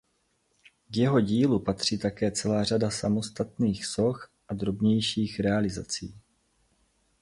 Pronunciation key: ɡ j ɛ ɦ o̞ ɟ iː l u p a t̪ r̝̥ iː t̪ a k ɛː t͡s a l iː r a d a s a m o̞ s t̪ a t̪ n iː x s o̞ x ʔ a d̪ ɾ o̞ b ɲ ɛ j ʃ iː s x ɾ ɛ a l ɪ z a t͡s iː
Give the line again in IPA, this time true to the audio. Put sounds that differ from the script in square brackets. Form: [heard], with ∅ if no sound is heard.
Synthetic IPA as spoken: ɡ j ɛ ɦ o̞ ɟ iː l u p a t̪ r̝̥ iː t̪ a k ɛː t͡s [ɛ] l [aː] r a d a s a m o̞ s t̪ a t̪ n iː x s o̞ x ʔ a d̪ ɾ o̞ b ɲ ɛ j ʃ iː [∅] x ɾ ɛ a l ɪ z a t͡s iː